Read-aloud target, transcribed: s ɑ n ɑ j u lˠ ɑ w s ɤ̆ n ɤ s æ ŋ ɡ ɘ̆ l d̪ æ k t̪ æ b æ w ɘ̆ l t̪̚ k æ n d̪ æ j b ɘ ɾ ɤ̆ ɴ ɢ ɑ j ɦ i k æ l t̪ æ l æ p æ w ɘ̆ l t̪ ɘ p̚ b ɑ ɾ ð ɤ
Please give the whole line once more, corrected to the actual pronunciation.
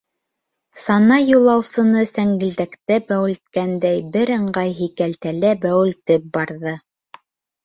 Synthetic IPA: s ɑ n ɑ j u lˠ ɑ w s ɤ̆ n ɤ s æ ŋ ɡ ɘ̆ l d̪ æ k t̪ æ b æ w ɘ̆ l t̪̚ k æ n d̪ æ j b ɘ ɾ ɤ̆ ɴ ɢ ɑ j ɦ i k æ l t̪ æ l æ b æ w ɘ̆ l t̪ ɘ p̚ b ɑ ɾ ð ɤ

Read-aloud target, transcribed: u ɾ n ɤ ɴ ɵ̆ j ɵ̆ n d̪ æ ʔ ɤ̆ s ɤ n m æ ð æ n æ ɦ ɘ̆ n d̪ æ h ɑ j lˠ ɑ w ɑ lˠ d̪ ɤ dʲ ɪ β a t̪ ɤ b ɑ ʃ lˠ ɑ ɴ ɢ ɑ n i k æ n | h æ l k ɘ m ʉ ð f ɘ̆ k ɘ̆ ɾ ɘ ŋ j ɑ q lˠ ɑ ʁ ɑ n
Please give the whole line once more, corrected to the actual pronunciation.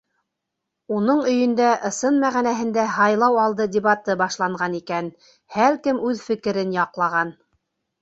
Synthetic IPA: u n ɤ ɴ ɵ̆ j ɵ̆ n d̪ æ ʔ ɤ̆ s ɤ n m æ ʁ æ n æ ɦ ɘ̆ n d̪ æ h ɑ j lˠ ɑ w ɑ lˠ d̪ ɤ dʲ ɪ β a t̪ ɤ b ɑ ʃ lˠ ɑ ɴ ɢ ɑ n i k æ n | h æ l k ɘ m ʉ ð f ɘ̆ k ɘ̆ ɾ ɘ n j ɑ q lˠ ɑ ʁ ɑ n

